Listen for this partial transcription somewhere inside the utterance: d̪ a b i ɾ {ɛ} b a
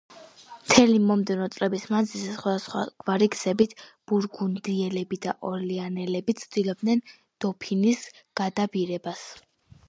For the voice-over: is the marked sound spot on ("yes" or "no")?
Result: yes